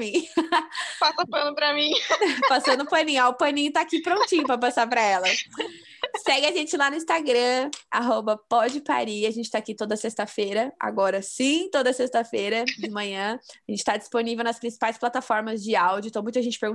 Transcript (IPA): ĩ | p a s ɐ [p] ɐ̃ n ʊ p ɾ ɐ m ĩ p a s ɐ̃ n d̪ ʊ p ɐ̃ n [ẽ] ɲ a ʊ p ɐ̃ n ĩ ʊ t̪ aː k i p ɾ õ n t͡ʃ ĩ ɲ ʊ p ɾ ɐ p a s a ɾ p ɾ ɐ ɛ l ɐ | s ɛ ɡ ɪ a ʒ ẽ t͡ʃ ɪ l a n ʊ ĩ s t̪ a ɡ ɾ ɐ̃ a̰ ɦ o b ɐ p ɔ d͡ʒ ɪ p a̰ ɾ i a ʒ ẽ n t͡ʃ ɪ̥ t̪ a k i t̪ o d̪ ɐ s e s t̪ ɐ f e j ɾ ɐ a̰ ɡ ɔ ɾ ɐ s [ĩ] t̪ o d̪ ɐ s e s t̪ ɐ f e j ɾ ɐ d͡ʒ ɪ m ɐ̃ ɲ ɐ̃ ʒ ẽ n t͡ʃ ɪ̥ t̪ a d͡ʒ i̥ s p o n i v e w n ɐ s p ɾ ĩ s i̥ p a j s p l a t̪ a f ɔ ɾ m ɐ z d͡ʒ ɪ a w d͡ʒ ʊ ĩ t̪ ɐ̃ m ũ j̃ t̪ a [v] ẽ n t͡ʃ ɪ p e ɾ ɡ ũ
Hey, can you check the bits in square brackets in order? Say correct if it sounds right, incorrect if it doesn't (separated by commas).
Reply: correct, incorrect, correct, incorrect